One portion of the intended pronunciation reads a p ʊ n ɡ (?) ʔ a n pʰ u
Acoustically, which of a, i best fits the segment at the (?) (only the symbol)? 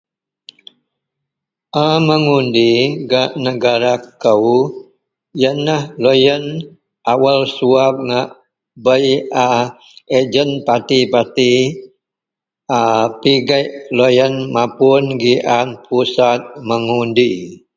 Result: i